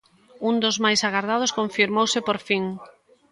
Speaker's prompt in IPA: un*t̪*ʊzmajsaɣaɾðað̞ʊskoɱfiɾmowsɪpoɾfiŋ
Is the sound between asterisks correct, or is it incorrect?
incorrect